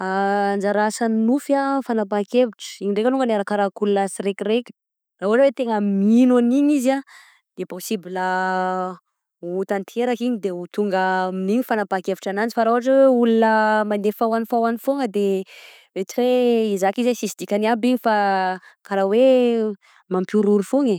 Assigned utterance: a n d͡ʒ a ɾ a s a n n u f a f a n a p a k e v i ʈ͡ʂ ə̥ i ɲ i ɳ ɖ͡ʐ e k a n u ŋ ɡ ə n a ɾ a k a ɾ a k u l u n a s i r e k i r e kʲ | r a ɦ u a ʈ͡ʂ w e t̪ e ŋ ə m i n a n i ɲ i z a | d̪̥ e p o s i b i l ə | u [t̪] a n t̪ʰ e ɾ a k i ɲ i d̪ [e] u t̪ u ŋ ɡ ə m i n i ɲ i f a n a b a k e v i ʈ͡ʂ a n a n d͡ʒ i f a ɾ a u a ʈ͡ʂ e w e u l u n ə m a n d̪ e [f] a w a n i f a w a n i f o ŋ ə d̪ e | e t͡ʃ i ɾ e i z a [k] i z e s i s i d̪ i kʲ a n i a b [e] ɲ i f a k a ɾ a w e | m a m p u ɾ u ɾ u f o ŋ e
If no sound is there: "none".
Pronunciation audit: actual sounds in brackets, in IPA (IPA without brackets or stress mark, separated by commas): t̪, e, f, k, i